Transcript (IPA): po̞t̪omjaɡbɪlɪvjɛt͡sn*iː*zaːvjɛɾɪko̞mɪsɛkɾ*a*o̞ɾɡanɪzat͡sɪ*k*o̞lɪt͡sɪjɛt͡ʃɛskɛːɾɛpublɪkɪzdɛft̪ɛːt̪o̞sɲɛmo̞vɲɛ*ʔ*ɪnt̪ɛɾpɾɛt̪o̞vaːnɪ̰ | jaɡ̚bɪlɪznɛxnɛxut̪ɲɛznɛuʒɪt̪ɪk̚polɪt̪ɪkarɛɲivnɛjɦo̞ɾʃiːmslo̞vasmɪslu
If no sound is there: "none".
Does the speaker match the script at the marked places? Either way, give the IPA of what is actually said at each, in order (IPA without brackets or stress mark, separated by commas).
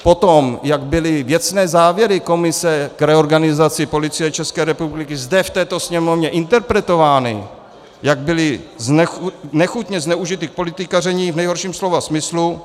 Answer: ɛː, ɛ, p, ʔ